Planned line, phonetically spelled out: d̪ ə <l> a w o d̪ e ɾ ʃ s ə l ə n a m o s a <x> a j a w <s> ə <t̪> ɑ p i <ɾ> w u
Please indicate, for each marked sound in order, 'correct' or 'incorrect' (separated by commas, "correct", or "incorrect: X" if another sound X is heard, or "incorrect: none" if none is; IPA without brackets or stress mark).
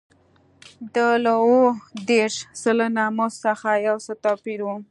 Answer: correct, correct, correct, correct, correct